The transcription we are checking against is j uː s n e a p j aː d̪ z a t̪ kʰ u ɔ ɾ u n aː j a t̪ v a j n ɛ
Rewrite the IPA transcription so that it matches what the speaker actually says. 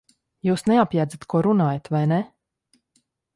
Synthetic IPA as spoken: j uː s n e a p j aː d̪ z a t̪ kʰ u ɔ ɾ u n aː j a t̪ v a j n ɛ